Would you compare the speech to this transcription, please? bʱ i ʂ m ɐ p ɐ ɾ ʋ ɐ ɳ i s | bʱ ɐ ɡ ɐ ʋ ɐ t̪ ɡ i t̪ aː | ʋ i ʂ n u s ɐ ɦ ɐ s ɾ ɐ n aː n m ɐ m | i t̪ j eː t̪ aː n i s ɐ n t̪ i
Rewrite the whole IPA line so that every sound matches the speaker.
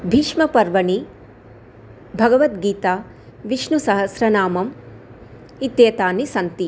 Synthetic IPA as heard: bʱ i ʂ m ɐ p ɐ ɾ ʋ ɐ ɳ i | bʱ ɐ ɡ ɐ ʋ ɐ t̪ ɡ iː t̪ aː | ʋ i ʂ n u s ɐ ɦ ɐ s ɾ ɐ n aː m ɐ m | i t̪ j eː t̪ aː n i s ɐ n t̪ i